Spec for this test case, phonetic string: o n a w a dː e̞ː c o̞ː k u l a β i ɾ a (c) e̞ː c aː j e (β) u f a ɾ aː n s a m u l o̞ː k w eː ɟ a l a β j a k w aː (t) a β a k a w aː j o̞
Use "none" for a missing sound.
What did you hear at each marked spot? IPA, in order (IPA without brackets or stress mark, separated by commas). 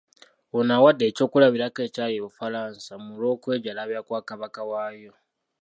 k, β, k